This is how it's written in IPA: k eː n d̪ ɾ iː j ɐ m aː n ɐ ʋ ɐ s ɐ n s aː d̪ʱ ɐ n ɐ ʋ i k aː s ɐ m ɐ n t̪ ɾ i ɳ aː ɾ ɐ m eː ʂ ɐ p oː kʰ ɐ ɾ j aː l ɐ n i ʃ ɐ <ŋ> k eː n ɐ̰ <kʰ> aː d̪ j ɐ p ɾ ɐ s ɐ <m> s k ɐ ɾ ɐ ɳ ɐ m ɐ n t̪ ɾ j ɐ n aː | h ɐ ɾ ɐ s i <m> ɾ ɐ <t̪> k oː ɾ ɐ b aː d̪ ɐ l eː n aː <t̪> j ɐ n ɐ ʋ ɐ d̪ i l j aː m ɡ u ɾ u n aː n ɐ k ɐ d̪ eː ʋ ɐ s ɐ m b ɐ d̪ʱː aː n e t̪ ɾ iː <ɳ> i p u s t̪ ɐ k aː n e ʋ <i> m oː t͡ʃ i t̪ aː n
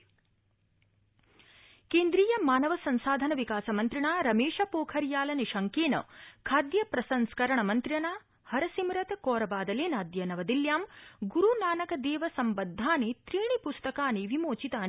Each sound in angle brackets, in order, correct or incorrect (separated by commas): correct, correct, incorrect, correct, correct, incorrect, correct, correct